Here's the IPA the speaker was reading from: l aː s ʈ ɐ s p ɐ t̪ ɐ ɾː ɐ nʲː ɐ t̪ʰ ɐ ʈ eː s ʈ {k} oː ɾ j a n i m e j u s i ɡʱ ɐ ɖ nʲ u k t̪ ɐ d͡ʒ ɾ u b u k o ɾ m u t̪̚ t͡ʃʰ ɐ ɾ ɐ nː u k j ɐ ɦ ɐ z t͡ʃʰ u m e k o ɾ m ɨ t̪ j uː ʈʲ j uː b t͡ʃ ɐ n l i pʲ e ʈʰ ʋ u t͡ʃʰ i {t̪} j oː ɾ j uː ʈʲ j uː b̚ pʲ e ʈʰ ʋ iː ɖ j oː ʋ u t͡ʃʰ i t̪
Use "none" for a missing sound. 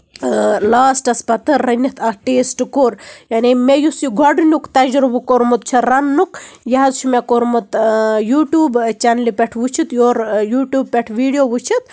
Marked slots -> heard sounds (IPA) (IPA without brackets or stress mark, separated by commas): k, t̪